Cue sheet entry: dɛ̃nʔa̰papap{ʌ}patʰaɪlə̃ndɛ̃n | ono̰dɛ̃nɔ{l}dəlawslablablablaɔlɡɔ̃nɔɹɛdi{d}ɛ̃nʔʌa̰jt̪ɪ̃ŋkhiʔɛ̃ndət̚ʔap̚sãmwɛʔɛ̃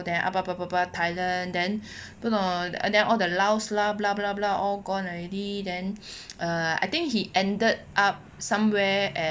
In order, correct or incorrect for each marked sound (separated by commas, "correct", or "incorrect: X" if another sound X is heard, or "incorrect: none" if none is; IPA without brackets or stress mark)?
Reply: incorrect: a, correct, correct